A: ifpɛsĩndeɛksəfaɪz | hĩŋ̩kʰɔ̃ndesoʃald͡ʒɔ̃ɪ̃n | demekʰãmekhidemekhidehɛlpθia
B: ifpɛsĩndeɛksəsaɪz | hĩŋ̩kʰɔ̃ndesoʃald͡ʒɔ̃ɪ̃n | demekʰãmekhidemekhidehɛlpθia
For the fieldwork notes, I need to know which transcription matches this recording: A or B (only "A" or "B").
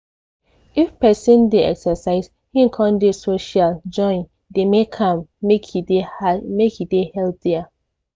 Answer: B